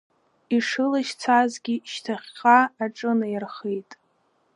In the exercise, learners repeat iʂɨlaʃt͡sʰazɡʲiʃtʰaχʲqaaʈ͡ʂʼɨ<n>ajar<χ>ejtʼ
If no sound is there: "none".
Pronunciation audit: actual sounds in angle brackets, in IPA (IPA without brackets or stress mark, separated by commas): n, χ